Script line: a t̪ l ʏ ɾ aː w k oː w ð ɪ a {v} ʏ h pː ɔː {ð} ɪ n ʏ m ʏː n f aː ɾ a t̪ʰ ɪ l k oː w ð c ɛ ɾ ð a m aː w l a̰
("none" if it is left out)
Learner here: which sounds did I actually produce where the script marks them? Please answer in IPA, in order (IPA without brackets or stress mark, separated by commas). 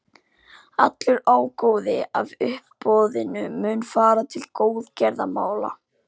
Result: v, ð